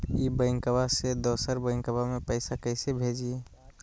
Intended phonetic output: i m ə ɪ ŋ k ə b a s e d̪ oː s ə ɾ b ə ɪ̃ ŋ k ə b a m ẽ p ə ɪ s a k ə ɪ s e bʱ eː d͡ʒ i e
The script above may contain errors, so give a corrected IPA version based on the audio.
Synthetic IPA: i b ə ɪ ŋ k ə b a s e d̪ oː s ə ɾ b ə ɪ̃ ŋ k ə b a m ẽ p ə ɪ s a k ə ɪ s e bʱ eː d͡ʒ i e